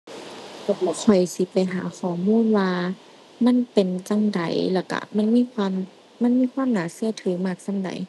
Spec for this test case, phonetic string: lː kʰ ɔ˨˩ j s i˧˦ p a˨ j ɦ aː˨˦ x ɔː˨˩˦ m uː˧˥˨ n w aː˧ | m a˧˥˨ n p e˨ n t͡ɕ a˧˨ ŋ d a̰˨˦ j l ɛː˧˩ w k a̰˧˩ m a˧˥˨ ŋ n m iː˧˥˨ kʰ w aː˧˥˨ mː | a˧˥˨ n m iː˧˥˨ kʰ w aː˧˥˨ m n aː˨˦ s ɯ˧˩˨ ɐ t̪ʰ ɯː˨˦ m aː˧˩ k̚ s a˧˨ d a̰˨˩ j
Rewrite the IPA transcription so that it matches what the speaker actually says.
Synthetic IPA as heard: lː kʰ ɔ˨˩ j s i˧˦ p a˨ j ɦ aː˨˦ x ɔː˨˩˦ m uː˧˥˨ n w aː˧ | m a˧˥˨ n p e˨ n t͡ɕ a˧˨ ŋ d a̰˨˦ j l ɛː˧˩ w k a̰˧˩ m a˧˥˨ n m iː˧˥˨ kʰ w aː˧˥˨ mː | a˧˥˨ n m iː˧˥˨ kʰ w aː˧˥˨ m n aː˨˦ s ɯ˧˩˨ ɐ t̪ʰ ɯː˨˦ m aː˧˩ k̚ s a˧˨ d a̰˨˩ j